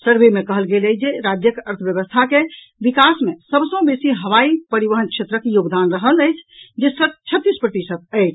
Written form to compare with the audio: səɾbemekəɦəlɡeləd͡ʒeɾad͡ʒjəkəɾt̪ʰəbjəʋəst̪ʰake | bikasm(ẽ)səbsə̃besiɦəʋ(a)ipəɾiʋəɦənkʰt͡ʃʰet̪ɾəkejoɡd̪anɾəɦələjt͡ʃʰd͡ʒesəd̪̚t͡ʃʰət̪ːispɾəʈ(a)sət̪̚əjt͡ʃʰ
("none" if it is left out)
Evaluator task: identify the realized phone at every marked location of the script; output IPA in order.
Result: e, a, i

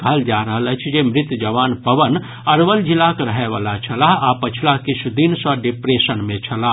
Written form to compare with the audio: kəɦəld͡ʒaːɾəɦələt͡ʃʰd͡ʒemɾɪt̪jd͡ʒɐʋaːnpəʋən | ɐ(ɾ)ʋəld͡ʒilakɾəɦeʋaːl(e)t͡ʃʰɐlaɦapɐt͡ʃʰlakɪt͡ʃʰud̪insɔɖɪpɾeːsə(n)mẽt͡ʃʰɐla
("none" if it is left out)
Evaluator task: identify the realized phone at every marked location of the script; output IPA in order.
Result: ɾ, a, n

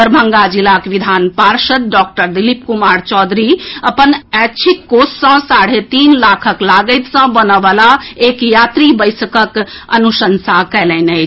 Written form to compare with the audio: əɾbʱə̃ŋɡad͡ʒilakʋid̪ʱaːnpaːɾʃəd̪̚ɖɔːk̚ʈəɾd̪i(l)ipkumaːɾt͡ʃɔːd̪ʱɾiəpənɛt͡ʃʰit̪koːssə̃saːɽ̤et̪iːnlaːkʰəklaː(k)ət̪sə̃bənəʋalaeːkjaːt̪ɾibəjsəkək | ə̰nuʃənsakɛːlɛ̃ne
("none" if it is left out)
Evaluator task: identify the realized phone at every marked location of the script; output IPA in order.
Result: l, ɡ

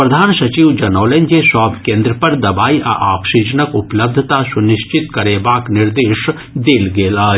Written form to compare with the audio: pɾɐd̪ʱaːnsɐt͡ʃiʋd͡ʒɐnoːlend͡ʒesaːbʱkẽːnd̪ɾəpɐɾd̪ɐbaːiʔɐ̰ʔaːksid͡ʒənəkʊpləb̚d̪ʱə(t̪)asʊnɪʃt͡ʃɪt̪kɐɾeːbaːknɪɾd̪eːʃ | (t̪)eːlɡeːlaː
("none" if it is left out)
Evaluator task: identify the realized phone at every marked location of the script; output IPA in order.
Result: t̪, d̪

